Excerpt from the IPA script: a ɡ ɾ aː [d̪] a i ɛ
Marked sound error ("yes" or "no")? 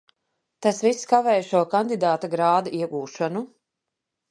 no